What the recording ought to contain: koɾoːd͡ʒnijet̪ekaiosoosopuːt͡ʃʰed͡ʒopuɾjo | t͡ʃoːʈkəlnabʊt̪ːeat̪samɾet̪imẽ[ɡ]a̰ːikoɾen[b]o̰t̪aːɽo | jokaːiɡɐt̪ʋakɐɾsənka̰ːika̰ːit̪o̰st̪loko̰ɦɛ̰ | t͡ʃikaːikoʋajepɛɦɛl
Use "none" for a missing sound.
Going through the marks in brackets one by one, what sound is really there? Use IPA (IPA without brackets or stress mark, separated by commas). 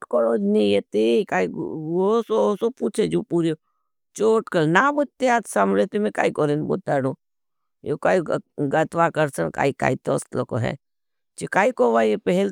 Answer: k, b